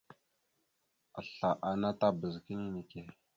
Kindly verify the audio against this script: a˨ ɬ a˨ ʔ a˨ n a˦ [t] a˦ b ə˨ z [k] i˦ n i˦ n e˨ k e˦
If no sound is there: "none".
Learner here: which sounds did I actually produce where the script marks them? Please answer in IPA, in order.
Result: t, k

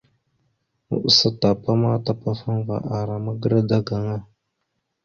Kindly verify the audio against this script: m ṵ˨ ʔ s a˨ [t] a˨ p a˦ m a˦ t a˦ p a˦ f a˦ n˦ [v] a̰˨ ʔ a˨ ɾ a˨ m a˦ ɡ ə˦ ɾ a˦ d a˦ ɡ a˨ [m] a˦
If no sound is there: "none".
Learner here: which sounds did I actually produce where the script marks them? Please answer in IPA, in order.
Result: t, v, ŋ

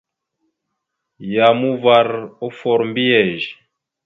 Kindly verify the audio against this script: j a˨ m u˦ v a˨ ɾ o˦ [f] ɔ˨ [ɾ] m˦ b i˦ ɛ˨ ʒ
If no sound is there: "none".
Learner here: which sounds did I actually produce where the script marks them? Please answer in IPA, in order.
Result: f, ɾ

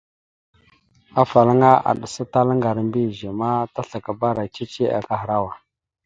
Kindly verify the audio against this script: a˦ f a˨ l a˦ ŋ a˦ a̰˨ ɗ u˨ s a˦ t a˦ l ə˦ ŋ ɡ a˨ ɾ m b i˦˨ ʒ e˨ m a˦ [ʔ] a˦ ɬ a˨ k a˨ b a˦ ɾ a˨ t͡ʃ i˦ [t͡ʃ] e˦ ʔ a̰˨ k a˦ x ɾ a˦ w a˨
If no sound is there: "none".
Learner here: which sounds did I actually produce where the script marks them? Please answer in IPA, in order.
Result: t, t͡ʃ

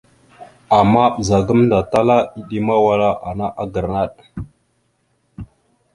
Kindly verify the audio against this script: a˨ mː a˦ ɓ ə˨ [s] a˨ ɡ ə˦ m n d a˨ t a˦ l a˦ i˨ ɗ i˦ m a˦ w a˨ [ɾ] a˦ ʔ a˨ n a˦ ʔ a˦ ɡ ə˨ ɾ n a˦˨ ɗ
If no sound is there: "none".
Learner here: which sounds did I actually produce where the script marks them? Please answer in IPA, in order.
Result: z, l

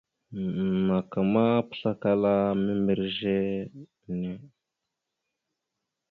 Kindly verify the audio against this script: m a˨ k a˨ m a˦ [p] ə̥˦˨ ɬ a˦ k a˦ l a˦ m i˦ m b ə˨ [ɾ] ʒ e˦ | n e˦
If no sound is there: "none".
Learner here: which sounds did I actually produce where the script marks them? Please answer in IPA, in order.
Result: p, ɾ

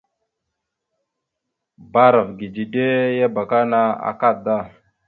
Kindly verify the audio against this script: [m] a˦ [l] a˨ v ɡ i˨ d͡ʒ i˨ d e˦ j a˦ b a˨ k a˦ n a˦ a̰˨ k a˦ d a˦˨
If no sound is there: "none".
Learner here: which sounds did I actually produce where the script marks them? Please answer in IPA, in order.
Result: b, ɾ

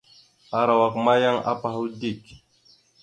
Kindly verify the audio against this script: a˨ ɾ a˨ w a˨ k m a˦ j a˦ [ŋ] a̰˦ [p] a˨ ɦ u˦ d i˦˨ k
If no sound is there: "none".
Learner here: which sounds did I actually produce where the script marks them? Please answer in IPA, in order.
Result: ŋ, p

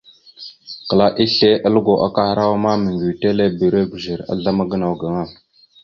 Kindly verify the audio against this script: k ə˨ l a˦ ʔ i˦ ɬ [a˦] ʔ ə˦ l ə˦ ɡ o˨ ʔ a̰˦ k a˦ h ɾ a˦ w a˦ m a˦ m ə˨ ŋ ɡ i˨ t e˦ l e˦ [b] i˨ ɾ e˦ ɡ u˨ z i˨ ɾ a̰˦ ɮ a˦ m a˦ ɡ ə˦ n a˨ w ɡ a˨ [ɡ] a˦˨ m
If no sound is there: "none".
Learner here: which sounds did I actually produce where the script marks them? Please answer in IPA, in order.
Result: e˦, b, ŋ

